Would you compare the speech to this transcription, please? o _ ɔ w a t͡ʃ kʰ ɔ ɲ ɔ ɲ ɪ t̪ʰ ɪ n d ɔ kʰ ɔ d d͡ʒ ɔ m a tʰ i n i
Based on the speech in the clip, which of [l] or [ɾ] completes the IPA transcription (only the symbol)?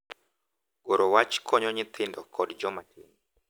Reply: ɾ